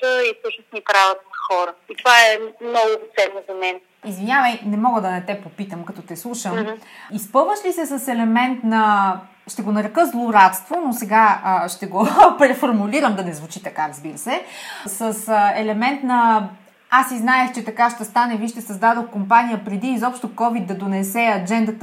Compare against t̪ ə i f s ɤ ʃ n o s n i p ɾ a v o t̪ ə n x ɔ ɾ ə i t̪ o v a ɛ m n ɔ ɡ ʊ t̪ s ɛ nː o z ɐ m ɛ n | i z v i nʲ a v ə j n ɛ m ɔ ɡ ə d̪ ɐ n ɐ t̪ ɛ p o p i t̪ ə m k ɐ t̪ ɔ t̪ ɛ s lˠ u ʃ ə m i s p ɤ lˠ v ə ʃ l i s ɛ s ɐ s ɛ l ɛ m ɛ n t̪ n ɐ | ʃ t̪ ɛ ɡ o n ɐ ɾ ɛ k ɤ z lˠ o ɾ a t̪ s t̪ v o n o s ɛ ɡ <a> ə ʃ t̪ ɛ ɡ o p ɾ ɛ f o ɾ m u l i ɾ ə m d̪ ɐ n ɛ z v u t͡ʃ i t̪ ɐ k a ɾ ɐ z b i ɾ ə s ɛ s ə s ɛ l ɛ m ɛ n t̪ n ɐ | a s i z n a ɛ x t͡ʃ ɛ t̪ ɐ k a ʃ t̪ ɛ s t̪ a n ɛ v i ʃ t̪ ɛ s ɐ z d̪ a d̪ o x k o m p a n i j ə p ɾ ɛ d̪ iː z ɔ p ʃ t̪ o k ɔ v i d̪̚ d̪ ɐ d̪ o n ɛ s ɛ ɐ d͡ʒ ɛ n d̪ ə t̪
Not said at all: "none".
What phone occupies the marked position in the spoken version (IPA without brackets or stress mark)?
a